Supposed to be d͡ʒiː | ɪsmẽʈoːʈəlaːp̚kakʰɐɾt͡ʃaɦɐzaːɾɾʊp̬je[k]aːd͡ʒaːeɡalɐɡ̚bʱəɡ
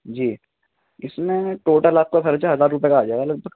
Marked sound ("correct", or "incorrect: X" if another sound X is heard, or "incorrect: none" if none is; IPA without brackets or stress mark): correct